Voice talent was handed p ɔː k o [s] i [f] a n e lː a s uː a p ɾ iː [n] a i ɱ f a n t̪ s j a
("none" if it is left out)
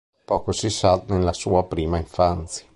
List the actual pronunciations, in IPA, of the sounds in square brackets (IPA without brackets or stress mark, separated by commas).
s, s, m